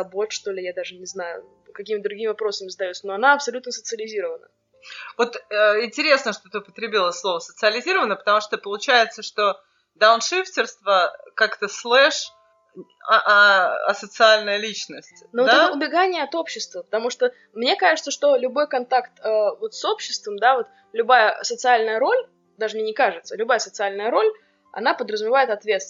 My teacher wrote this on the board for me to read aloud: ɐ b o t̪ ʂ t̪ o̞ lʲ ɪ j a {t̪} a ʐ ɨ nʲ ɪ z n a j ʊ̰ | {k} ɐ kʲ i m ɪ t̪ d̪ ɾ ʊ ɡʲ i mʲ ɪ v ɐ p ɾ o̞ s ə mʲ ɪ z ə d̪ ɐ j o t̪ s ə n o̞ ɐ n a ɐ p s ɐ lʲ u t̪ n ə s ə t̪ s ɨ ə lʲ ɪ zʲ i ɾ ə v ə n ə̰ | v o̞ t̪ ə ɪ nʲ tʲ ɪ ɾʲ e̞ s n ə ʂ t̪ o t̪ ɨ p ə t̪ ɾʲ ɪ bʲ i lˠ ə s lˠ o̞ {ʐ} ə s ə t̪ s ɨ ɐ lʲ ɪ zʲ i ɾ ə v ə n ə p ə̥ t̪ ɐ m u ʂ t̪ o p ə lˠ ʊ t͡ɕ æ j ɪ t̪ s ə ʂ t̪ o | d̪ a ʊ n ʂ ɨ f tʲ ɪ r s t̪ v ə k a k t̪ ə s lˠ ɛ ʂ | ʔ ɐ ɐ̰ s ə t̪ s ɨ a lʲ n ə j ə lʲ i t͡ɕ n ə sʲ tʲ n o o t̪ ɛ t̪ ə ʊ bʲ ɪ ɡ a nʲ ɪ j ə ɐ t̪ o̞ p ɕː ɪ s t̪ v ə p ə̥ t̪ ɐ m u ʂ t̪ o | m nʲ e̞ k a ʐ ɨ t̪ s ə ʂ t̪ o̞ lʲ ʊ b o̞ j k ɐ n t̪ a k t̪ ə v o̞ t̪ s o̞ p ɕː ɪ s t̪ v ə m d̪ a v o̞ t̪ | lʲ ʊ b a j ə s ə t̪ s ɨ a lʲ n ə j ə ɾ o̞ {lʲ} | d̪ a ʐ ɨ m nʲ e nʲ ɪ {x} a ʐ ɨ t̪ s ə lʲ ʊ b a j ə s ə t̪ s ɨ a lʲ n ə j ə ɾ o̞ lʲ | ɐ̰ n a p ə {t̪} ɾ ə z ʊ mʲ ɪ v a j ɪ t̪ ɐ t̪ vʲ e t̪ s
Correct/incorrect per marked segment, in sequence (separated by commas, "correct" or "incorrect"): incorrect, correct, incorrect, correct, incorrect, incorrect